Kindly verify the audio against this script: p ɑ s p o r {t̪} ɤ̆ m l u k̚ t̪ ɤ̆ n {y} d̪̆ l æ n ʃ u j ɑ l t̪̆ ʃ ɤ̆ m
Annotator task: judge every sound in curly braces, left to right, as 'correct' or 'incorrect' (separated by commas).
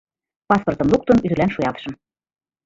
correct, correct